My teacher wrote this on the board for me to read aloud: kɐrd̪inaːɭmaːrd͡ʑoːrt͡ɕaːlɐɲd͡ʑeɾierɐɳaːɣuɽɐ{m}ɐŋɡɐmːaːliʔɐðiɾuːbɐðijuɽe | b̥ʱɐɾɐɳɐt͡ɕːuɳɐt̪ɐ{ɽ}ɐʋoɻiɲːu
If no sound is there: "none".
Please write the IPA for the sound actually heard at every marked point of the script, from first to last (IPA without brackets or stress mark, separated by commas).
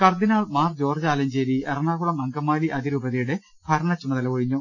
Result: m, l